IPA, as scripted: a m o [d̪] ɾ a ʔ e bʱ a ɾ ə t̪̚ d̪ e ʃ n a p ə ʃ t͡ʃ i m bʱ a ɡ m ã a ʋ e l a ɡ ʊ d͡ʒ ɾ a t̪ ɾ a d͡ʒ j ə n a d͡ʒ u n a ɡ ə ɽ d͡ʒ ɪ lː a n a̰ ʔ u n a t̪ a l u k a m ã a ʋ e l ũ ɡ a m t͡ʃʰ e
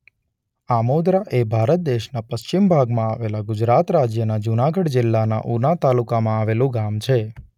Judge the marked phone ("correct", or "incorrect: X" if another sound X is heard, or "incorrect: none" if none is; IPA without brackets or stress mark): correct